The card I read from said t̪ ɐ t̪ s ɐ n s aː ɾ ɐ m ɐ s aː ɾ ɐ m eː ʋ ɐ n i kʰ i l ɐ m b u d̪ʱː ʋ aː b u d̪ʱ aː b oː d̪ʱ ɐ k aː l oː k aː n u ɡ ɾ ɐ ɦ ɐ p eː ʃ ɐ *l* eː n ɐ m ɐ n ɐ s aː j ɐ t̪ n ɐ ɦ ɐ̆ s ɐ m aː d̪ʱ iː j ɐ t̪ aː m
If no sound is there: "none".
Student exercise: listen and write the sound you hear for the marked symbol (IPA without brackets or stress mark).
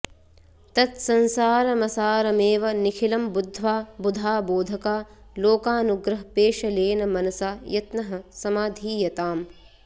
l